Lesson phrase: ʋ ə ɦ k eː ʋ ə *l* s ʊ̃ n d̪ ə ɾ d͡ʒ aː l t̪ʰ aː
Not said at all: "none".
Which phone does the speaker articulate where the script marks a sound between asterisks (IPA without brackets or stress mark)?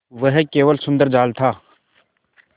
l